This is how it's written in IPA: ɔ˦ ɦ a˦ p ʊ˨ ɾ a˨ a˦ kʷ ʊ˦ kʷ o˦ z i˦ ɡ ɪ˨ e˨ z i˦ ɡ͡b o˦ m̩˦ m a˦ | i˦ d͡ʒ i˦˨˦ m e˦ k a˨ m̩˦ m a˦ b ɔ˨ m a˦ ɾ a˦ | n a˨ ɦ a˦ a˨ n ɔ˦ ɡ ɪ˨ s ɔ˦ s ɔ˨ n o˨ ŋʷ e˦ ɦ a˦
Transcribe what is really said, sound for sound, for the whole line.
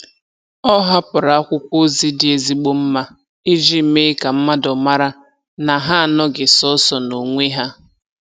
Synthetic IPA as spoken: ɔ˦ ɦ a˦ p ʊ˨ ɾ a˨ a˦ kʷ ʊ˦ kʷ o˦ z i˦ d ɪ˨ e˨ z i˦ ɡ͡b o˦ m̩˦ m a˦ | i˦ d͡ʒ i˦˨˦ m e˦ k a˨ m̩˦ m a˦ d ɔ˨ m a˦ ɾ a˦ | n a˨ ɦ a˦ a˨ n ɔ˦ ɡ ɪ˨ s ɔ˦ s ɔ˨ n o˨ ŋʷ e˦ ɦ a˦